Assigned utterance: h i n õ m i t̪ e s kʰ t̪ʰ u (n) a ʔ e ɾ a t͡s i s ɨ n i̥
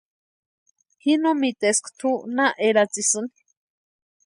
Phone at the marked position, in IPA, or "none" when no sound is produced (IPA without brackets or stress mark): n